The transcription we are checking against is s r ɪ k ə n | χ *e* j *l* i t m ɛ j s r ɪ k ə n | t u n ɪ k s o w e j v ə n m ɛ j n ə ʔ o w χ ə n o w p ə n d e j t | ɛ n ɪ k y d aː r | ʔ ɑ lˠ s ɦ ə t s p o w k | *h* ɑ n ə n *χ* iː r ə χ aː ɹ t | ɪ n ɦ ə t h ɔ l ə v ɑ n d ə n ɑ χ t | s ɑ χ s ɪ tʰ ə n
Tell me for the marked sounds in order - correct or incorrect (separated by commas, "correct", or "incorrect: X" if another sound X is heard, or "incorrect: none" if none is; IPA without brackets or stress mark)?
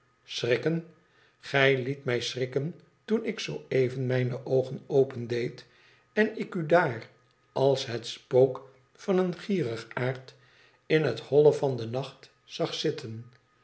incorrect: ɛ, correct, incorrect: f, correct